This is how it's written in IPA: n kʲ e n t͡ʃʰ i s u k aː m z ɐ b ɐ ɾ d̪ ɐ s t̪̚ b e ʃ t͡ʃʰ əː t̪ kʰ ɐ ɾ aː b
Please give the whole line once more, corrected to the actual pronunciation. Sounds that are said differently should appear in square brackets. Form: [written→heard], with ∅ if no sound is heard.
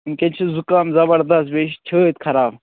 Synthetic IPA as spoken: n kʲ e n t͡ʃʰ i [s→z] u k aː m z ɐ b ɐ ɾ d̪ ɐ s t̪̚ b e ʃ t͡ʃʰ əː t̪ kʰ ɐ ɾ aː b